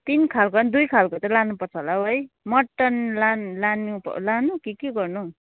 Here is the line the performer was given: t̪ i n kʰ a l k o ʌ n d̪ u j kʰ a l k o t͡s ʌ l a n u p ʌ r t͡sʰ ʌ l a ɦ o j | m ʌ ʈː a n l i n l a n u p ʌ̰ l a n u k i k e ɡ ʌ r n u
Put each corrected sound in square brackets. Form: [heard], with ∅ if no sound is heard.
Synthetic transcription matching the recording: t̪ i n kʰ a l k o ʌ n d̪ u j kʰ a l k o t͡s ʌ l a n u p ʌ r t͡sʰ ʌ l a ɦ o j | m ʌ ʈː [ʌ] n l [a] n l a n u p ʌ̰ l a n u k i k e ɡ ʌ r n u